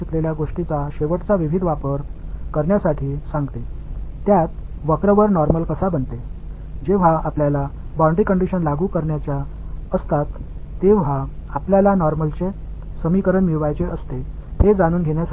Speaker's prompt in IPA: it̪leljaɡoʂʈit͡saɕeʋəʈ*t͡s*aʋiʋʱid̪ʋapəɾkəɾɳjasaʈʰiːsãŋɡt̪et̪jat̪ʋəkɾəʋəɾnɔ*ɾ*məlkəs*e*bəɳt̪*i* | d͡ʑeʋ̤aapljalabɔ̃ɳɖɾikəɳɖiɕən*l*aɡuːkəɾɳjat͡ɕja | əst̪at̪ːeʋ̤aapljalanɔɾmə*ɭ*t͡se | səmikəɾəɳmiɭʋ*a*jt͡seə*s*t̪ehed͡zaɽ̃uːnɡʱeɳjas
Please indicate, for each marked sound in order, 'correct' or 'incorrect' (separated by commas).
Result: correct, correct, incorrect, incorrect, correct, incorrect, correct, correct